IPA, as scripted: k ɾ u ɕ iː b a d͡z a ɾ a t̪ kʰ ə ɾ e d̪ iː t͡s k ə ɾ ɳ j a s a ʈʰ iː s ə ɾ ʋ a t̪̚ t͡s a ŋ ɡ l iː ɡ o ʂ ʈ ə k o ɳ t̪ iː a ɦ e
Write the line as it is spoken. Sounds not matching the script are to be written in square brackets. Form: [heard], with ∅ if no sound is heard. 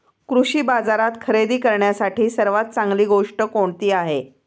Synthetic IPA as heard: k ɾ u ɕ iː b a d͡z a ɾ a t̪ kʰ ə ɾ e d̪ iː [∅] k ə ɾ ɳ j a s a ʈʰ iː s ə ɾ ʋ a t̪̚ t͡s a ŋ ɡ l iː ɡ o ʂ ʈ ə k o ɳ t̪ iː a ɦ e